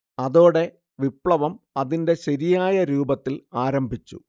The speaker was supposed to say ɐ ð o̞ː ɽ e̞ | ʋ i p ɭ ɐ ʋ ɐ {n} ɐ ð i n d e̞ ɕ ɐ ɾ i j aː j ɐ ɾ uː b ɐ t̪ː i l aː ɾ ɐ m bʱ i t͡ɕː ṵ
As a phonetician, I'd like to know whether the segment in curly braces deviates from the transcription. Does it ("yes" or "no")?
yes